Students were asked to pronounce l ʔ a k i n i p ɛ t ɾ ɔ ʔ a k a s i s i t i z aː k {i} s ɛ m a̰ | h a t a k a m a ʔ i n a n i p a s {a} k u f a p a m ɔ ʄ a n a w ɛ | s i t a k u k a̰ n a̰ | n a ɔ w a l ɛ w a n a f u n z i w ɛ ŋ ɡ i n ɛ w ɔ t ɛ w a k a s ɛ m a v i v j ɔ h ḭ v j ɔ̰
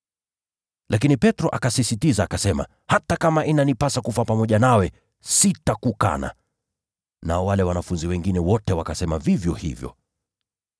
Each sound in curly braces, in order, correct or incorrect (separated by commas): incorrect, correct